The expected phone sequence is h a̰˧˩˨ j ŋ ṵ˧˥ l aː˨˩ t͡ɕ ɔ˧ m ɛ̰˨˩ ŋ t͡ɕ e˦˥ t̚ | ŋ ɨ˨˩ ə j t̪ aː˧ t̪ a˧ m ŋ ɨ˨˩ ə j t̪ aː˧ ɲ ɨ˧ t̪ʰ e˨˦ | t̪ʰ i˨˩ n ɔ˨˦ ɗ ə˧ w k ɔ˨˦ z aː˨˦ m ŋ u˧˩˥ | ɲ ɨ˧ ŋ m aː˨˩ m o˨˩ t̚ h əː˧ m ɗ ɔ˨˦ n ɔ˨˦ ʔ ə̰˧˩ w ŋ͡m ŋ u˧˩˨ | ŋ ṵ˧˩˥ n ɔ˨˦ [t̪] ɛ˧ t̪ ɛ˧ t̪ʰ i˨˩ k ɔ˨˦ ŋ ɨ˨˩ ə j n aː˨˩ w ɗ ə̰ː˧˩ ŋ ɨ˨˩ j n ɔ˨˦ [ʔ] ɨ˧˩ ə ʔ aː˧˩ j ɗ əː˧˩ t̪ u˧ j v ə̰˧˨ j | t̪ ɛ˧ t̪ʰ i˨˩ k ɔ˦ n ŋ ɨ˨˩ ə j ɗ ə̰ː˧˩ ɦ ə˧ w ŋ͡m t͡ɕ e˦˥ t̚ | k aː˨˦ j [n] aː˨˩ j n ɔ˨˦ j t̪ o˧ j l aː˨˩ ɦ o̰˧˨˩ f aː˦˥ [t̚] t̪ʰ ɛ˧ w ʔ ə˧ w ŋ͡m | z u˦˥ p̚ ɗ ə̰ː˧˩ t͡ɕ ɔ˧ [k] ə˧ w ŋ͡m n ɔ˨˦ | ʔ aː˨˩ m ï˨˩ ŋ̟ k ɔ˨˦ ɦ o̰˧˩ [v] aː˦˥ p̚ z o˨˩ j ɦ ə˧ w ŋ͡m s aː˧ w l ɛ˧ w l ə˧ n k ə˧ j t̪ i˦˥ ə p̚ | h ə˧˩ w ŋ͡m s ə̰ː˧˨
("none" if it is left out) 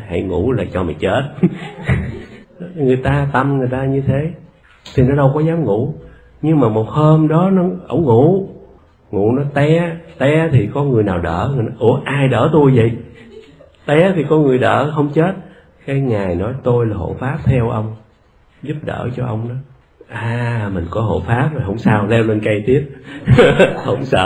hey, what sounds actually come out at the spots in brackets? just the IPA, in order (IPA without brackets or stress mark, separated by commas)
t̪, ʔ, ŋ, p̚, ʔ, f